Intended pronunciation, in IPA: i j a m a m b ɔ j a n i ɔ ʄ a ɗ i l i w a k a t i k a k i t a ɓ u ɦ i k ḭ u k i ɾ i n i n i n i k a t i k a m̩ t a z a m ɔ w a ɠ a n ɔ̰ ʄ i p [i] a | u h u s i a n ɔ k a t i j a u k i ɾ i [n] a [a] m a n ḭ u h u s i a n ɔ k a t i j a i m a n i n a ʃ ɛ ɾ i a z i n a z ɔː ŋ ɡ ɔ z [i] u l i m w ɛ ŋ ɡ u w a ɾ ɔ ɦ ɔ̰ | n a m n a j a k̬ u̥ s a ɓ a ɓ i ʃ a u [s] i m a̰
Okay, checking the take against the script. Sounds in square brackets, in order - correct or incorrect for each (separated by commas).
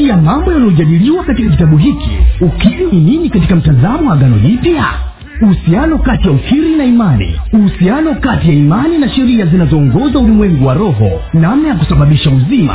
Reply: incorrect, correct, incorrect, incorrect, incorrect